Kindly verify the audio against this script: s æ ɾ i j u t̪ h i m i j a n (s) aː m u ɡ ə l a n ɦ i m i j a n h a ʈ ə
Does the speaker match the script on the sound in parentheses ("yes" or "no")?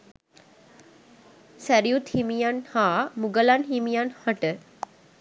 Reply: no